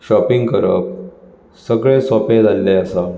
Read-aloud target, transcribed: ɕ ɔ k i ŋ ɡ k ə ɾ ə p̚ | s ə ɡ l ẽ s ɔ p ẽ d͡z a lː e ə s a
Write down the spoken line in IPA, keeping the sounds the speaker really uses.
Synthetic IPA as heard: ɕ ɔ p i ŋ ɡ k ə ɾ ə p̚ | s ə ɡ ɭ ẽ s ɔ p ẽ d͡z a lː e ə s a

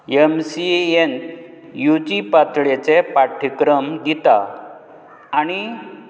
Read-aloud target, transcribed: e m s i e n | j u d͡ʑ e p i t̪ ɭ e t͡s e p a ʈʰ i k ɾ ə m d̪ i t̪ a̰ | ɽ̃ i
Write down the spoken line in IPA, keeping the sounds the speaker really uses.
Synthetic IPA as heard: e m s i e n | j u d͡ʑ i p a t̪ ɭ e t͡s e p a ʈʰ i k ɾ ə m d̪ i t̪ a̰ | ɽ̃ i

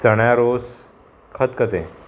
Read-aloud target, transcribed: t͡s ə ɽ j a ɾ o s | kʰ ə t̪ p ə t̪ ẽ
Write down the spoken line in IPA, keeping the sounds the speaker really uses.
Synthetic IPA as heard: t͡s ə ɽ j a ɾ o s | kʰ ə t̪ k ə t̪ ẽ

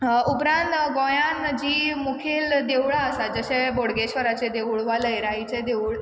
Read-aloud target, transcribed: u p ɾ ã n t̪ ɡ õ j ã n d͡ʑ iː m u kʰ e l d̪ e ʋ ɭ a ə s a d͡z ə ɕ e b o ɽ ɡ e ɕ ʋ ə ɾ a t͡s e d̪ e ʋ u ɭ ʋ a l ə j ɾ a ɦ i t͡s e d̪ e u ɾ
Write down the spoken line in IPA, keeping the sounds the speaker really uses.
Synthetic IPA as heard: u p ɾ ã n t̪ ɡ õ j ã n d͡ʑ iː m u kʰ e l d̪ e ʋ ɭ a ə s a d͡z ə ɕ e b o ɽ ɡ e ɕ ʋ ə ɾ a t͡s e d̪ e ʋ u ɭ ʋ a l ə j ɾ a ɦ i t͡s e d̪ e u ɭ

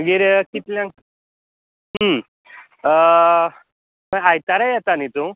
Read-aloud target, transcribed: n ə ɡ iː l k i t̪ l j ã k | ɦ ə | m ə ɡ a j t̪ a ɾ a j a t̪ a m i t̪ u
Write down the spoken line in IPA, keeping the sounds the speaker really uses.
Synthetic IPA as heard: m ə ɡ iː ɾ k i t̪ l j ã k | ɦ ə | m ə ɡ a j t̪ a ɾ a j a t̪ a n i t̪ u

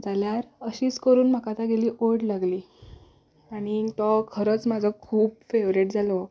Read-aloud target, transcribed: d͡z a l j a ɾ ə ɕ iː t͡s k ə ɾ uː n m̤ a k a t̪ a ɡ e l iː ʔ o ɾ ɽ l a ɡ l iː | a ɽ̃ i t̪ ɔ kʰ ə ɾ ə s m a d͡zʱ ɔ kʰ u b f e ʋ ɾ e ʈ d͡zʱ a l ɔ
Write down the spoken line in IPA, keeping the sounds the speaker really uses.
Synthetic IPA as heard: d͡z a l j a ɾ ə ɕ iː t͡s k ə ɾ uː n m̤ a k a t̪ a ɡ e l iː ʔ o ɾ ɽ l a ɡ l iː | a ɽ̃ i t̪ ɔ kʰ ə ɾ ə t͡s m a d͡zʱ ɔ kʰ uː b f e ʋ ɾ e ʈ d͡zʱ a l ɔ

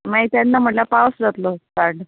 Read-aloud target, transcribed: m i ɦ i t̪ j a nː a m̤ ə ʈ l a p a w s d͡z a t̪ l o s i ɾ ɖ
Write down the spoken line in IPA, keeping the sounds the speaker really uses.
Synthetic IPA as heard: m a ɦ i t̪ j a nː a m̤ ə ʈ l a p a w s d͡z a t̪ l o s a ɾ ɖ

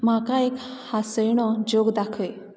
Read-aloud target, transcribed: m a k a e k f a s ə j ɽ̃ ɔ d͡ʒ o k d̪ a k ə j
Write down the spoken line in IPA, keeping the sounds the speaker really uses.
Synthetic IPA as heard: m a k a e k h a s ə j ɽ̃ ɔ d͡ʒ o ɡ d̪ a kʰ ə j

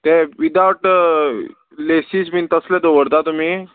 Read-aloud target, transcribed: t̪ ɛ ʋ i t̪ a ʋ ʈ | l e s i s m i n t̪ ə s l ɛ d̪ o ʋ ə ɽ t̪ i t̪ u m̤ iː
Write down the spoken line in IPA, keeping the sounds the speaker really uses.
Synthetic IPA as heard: t̪ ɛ ʋ i d̪ a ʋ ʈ | l e s i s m i n t̪ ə s l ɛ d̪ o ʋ ə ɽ t̪ a t̪ u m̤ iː

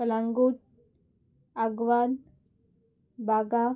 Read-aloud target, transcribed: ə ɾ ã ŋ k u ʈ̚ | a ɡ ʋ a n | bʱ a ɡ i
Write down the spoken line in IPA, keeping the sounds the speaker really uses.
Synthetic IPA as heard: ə l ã ŋ ɡ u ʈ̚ | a ɡ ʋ a n | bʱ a ɡ a

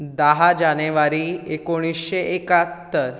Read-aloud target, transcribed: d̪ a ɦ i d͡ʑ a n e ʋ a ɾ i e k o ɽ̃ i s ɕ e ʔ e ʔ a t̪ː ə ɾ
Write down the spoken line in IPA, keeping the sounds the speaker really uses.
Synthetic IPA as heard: d̪ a ɦ a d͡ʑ a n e ʋ a ɾ i e k o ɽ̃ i s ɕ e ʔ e k a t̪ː ə ɾ

